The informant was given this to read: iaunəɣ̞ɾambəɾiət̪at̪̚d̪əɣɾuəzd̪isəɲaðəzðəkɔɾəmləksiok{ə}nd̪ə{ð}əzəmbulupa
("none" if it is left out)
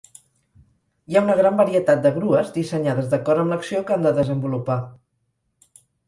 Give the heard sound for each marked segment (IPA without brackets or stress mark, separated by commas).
a, ð